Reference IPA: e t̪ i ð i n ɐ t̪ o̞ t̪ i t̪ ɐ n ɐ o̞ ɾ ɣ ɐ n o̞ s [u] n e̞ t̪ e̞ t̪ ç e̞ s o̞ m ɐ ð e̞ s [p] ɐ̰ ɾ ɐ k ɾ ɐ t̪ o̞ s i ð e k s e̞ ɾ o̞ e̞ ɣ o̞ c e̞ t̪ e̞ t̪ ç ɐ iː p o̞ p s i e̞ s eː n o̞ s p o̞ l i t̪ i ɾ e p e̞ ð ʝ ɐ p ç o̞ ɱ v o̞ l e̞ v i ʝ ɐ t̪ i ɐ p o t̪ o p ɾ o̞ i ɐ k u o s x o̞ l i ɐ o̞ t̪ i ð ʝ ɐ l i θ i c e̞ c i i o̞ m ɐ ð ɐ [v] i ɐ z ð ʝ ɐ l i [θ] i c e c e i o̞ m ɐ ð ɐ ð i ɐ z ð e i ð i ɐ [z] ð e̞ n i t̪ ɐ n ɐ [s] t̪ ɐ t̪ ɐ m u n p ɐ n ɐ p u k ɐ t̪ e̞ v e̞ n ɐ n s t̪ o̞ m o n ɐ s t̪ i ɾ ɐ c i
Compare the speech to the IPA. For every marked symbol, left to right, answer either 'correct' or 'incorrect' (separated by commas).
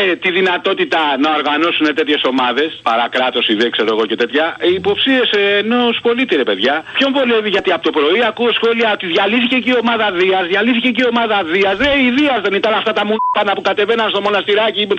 correct, correct, incorrect, correct, correct, incorrect